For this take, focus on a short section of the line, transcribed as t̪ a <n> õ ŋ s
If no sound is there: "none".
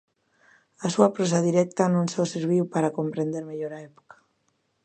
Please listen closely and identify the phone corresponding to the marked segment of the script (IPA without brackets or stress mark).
n